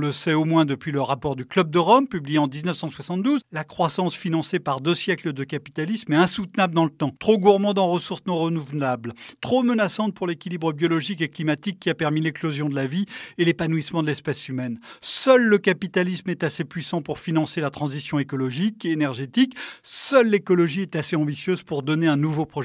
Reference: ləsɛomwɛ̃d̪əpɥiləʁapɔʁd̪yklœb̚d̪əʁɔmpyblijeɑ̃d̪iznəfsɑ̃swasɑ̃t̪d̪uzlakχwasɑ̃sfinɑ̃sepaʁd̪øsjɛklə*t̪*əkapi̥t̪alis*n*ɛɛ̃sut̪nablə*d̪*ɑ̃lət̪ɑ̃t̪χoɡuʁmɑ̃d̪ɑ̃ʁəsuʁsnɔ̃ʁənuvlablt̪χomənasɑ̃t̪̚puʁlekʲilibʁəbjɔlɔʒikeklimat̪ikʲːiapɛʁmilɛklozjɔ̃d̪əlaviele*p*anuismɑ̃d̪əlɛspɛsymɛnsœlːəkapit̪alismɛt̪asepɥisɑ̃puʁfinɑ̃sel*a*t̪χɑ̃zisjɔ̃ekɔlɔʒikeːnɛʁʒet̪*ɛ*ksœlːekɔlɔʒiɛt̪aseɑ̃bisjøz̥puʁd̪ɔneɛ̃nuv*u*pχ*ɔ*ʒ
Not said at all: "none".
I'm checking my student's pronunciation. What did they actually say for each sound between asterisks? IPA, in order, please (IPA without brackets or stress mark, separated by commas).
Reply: d̪, m, d̪, p, a, i, o, ɔ